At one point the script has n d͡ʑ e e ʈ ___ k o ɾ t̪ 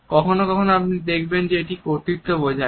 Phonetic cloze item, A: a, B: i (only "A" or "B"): B